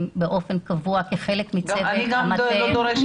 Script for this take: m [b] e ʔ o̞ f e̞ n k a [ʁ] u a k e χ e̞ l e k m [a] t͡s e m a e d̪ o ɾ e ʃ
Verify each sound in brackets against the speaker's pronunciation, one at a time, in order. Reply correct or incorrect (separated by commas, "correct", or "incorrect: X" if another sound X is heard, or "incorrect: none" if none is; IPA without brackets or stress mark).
correct, incorrect: v, incorrect: i